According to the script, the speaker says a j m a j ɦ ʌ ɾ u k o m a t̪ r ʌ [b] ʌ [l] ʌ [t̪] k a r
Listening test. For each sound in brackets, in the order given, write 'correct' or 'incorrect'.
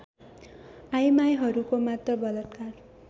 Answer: correct, correct, correct

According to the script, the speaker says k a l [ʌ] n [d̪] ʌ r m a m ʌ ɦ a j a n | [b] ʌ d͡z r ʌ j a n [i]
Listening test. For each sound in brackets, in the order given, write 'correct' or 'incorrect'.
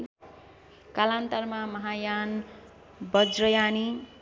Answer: incorrect: a, incorrect: t̪, correct, correct

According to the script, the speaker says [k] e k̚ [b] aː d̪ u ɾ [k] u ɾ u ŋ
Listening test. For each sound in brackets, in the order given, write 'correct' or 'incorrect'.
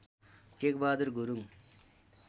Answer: correct, correct, incorrect: ɡ

